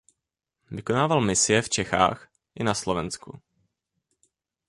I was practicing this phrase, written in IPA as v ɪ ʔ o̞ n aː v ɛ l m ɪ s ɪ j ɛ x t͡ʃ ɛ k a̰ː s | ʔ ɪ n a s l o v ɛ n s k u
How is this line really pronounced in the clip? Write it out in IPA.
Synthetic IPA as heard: v ɪ k o̞ n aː v a l m ɪ s ɪ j ɛ f t͡ʃ ɛ x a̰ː x | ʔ ɪ n a s l o v ɛ n s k u